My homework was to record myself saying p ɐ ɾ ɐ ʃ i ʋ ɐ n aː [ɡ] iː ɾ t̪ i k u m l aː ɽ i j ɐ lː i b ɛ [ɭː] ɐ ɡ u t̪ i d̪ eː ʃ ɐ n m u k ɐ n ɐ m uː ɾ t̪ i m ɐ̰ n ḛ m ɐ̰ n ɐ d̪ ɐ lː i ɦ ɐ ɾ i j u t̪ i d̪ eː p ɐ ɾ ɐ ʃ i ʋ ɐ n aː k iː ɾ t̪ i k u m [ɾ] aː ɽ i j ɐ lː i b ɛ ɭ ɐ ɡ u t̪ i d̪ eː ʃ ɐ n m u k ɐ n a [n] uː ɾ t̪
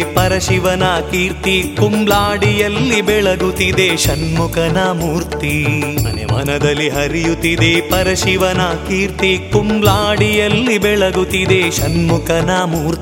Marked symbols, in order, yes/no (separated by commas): no, no, no, no